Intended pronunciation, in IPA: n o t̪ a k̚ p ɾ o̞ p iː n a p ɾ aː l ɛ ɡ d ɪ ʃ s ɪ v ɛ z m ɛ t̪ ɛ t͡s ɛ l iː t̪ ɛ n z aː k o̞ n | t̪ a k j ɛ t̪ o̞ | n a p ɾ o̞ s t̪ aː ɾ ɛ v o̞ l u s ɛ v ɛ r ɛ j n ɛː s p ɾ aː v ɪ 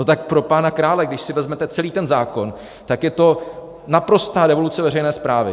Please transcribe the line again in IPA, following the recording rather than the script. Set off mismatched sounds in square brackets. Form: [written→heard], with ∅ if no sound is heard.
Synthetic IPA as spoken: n o t̪ a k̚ p ɾ o̞ p [iː→aː] n a [p→k] ɾ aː l ɛ ɡ d ɪ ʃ s ɪ v ɛ z m ɛ t̪ ɛ t͡s ɛ l iː t̪ ɛ n z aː k o̞ n | t̪ a k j ɛ t̪ o̞ | n a p ɾ o̞ s t̪ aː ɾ ɛ v o̞ l u [s→t͡s] ɛ v ɛ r ɛ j n ɛː s p ɾ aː v ɪ

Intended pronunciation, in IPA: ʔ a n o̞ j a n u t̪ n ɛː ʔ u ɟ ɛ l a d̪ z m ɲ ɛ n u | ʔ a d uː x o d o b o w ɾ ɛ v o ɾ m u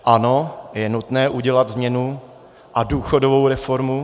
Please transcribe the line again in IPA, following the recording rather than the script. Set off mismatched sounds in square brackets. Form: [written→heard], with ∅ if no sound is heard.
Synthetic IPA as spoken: ʔ a n o̞ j [a→ɛ] n u t̪ n ɛː ʔ u ɟ ɛ l a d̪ z m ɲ ɛ n u | ʔ a d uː x o d o [b→v] o w ɾ ɛ [v→f] o ɾ m u

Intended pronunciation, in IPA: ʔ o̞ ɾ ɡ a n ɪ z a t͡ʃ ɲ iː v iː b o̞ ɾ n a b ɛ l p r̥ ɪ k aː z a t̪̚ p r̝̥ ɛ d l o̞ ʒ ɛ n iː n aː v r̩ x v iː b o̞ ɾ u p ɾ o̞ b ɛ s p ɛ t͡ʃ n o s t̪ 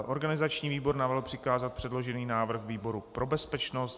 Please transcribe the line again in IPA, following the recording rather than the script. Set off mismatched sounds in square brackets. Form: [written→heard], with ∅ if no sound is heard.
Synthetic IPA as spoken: ʔ o̞ ɾ ɡ a n ɪ z a t͡ʃ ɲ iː v iː b o̞ ɾ n a [b→v] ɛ l p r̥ ɪ k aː z a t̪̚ p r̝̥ ɛ d l o̞ ʒ ɛ n iː n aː v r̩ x v iː b o̞ ɾ u p ɾ o̞ b ɛ s p ɛ t͡ʃ n o s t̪

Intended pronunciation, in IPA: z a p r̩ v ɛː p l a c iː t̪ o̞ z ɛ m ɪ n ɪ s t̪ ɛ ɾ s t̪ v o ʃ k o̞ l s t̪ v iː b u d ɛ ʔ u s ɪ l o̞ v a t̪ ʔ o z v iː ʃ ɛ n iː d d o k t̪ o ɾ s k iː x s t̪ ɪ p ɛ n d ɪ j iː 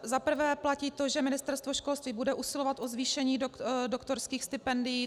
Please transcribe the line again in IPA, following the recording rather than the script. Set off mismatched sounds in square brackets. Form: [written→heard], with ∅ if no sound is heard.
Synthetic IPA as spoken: z a p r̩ v ɛː p l a c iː t̪ o̞ [z→ʒ] ɛ m ɪ n ɪ s t̪ ɛ ɾ s t̪ v o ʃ k o̞ l s t̪ v iː b u d ɛ ʔ u s ɪ l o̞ v a t̪ ʔ o z v iː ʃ ɛ [n→ɲ] iː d d o k t̪ o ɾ s k iː x s t̪ ɪ p ɛ n d ɪ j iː

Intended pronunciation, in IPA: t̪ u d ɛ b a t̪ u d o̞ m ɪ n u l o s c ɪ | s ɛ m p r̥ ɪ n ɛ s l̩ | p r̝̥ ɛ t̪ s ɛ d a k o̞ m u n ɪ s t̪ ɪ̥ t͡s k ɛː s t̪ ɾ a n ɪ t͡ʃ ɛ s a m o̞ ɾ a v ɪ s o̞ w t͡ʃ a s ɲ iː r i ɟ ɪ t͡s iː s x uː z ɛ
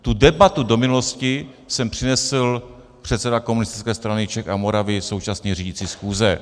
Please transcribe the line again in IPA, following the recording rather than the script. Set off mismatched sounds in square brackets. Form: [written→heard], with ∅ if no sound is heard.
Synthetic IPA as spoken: t̪ u d ɛ b a t̪ u d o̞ m ɪ n u l o s c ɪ | s ɛ m p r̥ ɪ n ɛ s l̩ | p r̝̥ ɛ t̪ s ɛ d a k o̞ m u n ɪ s t̪ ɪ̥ t͡s k ɛː s t̪ ɾ a n ɪ t͡ʃ ɛ [s→x] a m o̞ ɾ a v ɪ s o̞ w t͡ʃ a s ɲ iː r i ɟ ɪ t͡s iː s x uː z ɛ

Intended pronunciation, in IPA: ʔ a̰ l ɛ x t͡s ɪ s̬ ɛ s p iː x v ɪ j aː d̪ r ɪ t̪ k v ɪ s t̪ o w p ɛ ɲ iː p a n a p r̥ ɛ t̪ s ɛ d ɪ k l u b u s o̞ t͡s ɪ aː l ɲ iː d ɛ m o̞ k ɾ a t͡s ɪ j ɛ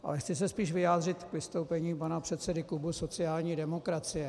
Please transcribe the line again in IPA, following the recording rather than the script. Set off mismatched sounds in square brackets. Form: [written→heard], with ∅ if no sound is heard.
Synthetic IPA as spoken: ʔ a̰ l ɛ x t͡s ɪ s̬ ɛ s p iː [x→ʃ] v ɪ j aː d̪ r ɪ t̪ k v ɪ s t̪ o w p ɛ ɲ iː p a n a p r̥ ɛ t̪ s ɛ d ɪ k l u b u s o̞ t͡s ɪ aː l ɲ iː d ɛ m o̞ k ɾ a t͡s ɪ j ɛ

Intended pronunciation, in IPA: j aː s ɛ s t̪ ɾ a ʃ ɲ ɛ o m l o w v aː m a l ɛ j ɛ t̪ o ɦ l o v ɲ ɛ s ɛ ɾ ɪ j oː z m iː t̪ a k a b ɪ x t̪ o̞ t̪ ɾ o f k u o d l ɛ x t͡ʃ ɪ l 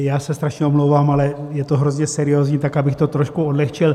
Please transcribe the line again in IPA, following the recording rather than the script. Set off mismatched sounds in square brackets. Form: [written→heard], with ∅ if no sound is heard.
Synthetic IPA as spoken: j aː s ɛ s t̪ ɾ a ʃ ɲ ɛ o m l o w v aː m a l ɛ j ɛ t̪ o ɦ [l→ɾ] o [v→z] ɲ ɛ s ɛ ɾ ɪ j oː z [m→ɲ] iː t̪ a k a b ɪ x t̪ o̞ t̪ ɾ o [f→ʃ] k u o d l ɛ x t͡ʃ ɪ l

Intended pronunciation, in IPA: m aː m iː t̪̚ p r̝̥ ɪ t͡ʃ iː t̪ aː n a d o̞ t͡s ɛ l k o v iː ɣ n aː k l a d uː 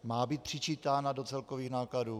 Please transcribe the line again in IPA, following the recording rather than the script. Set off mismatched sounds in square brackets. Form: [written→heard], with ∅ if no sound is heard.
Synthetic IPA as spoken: m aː [m→b] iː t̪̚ p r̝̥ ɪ t͡ʃ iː t̪ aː n a d o̞ t͡s ɛ l k o v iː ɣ n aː k l a d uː

